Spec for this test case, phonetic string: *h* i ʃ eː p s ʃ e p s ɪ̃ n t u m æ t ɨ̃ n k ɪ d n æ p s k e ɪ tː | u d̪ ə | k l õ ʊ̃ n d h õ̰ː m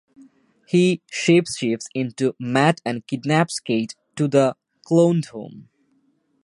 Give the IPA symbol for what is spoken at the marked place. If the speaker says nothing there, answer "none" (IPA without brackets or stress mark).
h